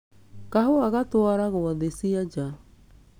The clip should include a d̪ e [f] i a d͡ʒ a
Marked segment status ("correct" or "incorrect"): incorrect